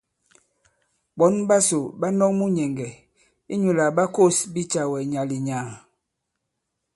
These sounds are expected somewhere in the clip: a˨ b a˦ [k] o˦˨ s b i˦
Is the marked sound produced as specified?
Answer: yes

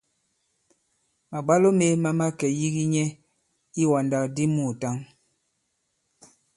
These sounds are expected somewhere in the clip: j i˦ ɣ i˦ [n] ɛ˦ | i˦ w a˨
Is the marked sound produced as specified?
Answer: no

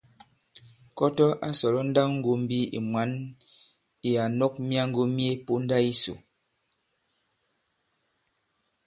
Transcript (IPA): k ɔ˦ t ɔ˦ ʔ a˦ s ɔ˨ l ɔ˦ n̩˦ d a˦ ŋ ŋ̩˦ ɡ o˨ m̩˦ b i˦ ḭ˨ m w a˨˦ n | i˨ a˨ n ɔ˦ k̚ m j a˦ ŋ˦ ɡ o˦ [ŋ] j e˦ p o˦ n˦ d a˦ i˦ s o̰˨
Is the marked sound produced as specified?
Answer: no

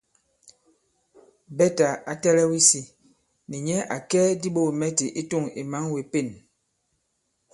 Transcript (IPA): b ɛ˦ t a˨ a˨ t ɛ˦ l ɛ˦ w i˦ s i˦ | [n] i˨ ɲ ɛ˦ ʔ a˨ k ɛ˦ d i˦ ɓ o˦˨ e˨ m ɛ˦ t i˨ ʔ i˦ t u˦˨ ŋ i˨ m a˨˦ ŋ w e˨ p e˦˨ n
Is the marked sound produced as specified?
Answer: yes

